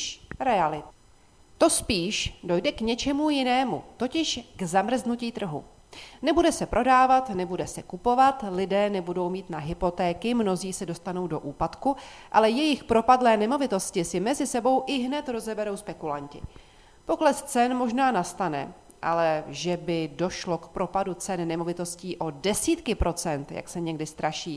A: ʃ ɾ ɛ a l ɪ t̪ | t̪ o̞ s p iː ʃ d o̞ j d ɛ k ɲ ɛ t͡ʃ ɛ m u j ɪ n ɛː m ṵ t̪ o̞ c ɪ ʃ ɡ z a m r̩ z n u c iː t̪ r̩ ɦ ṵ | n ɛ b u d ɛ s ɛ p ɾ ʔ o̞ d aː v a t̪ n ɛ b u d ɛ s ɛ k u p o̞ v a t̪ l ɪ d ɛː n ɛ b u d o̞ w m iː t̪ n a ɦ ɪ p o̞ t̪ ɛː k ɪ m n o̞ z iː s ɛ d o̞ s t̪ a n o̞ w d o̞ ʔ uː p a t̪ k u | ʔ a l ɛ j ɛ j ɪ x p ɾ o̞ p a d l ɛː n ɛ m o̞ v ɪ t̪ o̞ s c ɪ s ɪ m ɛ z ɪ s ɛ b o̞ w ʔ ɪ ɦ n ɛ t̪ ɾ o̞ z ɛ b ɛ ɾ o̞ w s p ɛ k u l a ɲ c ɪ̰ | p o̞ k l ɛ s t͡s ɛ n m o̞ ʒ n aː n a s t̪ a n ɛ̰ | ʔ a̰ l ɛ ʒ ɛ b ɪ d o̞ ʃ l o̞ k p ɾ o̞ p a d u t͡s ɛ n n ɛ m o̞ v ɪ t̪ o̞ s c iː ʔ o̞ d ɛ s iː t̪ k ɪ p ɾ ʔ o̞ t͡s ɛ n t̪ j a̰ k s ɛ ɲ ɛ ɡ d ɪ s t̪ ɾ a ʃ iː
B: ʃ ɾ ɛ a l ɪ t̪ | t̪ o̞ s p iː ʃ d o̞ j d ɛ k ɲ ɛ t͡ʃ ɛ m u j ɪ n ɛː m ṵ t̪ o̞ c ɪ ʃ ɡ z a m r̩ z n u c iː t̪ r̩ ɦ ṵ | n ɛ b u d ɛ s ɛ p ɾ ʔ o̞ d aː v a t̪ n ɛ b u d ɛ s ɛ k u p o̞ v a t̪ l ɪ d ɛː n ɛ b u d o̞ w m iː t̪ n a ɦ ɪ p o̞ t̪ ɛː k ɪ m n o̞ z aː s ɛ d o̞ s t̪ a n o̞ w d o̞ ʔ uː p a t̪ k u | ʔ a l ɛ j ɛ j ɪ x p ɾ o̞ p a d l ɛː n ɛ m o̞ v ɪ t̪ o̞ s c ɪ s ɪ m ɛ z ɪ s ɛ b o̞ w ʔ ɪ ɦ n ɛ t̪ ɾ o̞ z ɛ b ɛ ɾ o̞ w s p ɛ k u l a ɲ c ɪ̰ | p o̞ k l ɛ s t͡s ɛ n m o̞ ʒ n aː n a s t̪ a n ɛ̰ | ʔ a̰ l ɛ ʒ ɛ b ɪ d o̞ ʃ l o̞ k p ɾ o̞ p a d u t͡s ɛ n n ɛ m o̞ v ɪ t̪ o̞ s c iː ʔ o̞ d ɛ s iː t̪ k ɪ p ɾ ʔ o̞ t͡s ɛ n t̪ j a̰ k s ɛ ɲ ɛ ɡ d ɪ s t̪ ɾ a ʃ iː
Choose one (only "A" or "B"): A